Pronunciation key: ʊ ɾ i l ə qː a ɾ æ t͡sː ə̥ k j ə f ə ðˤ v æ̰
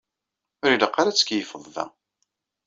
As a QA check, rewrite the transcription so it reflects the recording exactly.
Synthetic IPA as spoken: ʊ ɾ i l ə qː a ɾ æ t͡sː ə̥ k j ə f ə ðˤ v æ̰